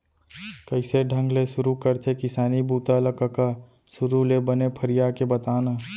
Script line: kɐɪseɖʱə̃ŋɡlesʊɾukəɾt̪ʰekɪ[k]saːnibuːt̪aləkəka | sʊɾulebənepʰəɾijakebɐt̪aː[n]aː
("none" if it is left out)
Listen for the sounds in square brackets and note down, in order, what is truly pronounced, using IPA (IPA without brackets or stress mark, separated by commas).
none, n